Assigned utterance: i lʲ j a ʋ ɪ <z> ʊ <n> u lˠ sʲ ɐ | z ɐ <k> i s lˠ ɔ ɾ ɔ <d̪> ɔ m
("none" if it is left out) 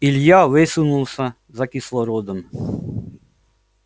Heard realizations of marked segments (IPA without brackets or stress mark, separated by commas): s, n, k, d̪